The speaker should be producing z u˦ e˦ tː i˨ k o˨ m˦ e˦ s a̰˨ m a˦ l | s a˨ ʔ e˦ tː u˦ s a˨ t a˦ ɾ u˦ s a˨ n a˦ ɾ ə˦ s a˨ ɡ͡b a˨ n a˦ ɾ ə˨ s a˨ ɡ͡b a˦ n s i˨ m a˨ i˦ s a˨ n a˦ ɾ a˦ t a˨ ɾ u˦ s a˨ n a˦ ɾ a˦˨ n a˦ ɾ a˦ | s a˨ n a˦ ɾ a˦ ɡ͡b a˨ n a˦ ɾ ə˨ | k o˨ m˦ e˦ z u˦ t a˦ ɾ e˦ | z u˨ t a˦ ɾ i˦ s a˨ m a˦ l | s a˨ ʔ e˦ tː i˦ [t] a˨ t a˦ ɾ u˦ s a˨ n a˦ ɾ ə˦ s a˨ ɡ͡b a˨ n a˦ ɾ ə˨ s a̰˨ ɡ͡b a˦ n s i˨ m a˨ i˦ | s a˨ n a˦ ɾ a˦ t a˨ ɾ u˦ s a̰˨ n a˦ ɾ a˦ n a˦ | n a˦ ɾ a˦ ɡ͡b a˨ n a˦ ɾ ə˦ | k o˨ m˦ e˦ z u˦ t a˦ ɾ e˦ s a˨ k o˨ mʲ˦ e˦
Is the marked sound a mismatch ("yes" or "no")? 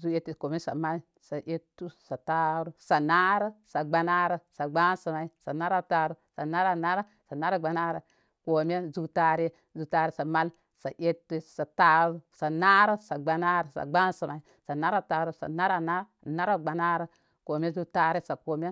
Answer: yes